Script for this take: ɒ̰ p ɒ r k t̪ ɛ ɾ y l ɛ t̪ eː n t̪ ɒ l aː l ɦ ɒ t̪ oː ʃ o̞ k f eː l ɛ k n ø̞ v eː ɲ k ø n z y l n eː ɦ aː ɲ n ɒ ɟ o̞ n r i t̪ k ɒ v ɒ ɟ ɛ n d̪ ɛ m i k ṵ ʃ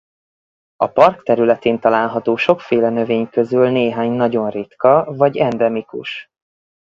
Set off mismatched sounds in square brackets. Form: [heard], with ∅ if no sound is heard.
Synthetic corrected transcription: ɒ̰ p ɒ r k t̪ ɛ ɾ y l ɛ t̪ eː n t̪ ɒ l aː l ɦ ɒ t̪ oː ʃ o̞ k f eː l ɛ [∅] n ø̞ v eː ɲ k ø [∅] z y l n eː ɦ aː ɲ n ɒ ɟ o̞ n r i t̪ k ɒ v ɒ ɟ ɛ n d̪ ɛ m i k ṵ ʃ